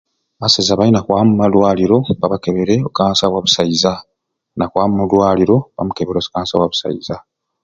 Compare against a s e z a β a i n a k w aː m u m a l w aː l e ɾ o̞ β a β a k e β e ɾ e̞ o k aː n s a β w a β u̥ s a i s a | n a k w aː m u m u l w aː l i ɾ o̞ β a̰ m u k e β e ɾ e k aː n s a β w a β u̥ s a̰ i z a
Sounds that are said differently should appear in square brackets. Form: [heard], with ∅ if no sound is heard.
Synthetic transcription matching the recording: a s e z a β a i n a k w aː m u m a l w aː l [i] ɾ o̞ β a β a k e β e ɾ e̞ o k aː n s a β w a β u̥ s a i [z] a | n a k w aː m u m u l w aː l i ɾ o̞ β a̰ m u k e β e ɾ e k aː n s a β w a β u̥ s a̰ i z a